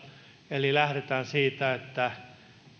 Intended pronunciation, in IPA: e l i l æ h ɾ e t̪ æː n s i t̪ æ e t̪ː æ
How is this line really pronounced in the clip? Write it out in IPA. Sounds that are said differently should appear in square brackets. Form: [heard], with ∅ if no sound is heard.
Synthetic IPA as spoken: e l i l æ h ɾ e t̪ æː n s [iː] t̪ æ e t̪ː æ